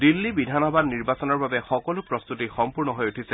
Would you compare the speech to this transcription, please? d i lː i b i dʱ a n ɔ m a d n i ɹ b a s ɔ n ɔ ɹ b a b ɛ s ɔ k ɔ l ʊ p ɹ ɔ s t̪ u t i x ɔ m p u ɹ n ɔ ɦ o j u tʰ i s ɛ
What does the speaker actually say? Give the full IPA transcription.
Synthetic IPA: d i lː i b i dʱ a n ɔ b a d n i ɹ b a s ɔ n ɔ ɹ b a b ɛ x ɔ k ɔ l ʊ p ɹ ɔ s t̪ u t i x ɔ m p u ɹ n ɔ ɦ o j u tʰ i s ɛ